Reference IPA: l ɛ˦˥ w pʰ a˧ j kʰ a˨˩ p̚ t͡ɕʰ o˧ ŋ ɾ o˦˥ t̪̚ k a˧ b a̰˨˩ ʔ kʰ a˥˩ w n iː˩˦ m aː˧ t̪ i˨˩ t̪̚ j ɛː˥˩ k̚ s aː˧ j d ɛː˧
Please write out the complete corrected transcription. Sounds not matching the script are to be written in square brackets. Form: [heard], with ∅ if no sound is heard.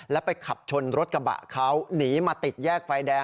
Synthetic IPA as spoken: l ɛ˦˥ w [p] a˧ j kʰ a˨˩ p̚ t͡ɕʰ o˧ [n] ɾ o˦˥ t̪̚ k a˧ b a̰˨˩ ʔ kʰ [a˦˥] w n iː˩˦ m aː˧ t̪ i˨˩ t̪̚ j ɛː˥˩ k̚ [f] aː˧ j d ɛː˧